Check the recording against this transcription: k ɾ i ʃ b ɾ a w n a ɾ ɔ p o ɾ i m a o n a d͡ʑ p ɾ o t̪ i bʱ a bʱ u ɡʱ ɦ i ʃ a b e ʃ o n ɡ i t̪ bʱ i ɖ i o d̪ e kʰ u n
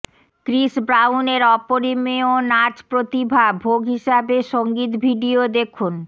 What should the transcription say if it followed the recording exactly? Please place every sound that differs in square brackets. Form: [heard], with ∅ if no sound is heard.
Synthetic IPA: k ɾ i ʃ b ɾ a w n [e] ɾ ɔ p o ɾ i m [e] o n a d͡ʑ p ɾ o t̪ i bʱ a bʱ [o] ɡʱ ɦ i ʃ a b e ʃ o [ŋ] ɡ i t̪ bʱ i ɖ i o d̪ e kʰ u n